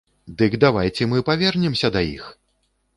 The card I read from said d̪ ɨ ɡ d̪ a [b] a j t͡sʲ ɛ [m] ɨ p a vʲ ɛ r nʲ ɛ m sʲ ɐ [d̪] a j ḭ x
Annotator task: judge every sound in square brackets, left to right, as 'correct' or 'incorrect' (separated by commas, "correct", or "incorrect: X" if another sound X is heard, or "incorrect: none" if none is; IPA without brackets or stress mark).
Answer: incorrect: v, correct, correct